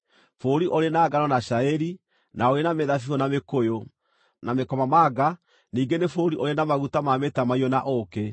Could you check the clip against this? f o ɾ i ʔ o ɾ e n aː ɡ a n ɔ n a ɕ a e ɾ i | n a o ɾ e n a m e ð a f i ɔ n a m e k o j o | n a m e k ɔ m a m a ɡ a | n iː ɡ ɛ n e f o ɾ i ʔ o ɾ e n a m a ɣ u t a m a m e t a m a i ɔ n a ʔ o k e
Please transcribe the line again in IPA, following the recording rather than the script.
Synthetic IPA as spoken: f o ɾ i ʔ o ɾ e n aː ɡ a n ɔ n a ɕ a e ɾ i | n a o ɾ e n a m e ð a f i ɔ n a m e k o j o | n a m e k ɔ m a m a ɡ a | n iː ɡ e n e f o ɾ i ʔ o ɾ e n a m a ɣ u t a m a m e t a m a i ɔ n a ʔ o k e